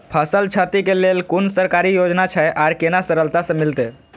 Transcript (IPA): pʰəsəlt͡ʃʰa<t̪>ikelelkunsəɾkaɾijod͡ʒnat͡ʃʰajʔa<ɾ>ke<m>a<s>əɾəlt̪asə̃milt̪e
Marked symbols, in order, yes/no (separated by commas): yes, yes, no, yes